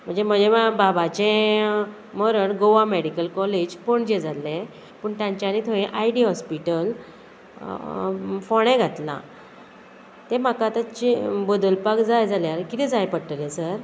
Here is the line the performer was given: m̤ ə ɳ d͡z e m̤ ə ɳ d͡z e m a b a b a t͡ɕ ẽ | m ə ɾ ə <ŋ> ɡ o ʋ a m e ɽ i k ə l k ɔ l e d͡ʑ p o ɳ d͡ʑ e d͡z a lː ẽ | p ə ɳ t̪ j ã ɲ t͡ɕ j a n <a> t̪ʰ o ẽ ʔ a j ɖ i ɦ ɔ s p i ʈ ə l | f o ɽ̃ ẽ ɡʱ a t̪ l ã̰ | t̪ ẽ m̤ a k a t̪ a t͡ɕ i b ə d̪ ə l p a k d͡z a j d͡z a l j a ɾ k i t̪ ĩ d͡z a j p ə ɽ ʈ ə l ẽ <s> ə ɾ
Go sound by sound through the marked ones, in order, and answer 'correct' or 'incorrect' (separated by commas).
incorrect, incorrect, correct